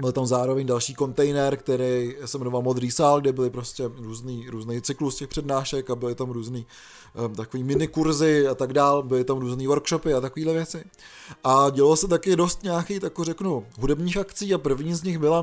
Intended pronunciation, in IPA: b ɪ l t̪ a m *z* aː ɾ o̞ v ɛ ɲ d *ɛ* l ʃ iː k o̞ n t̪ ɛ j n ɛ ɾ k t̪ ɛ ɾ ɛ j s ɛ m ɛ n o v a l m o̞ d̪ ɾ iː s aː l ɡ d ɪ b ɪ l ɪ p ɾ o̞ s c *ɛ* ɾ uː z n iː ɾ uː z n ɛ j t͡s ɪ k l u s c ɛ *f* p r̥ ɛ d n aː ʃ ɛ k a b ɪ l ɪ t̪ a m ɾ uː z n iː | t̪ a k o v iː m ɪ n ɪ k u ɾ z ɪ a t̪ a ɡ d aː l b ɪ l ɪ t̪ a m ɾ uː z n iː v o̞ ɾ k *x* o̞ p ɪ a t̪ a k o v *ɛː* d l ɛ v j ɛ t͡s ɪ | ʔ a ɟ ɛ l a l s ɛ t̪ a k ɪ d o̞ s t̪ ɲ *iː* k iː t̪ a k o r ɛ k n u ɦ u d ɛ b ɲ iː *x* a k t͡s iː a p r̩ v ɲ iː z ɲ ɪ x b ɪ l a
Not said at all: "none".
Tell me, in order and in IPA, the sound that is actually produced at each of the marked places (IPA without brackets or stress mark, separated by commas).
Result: z, a, ɛ, x, ʃ, iː, aː, x